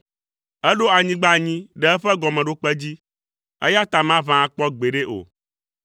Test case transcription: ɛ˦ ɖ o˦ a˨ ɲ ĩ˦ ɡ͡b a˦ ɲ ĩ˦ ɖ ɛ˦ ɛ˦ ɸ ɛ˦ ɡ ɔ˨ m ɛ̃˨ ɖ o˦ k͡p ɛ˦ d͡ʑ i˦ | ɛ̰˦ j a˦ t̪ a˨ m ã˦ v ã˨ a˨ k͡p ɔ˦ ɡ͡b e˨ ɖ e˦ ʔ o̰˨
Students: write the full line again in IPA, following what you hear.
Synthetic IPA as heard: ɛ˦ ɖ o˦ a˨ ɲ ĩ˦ ɡ͡b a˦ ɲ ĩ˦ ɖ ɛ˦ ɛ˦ ɸ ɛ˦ ɡ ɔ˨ m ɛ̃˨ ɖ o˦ k͡p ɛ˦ d͡ʑ i˦ | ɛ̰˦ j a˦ t̪ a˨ m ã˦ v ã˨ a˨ k͡p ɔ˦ ɡ͡b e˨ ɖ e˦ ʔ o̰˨